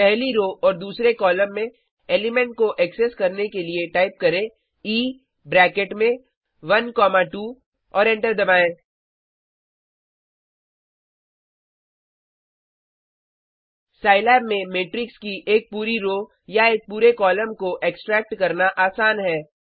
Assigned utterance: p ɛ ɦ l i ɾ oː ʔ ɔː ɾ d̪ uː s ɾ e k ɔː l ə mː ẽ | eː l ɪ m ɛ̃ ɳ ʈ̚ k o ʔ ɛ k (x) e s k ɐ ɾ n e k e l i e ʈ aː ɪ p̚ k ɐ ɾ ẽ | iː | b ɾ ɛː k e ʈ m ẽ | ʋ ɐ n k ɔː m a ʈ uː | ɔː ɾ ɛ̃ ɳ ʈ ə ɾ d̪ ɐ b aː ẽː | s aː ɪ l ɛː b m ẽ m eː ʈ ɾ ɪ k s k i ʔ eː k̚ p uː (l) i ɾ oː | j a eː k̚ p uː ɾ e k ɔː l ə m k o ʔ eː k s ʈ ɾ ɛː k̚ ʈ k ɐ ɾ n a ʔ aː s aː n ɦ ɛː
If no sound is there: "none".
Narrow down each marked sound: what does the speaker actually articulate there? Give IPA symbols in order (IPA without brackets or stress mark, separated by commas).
s, ɾ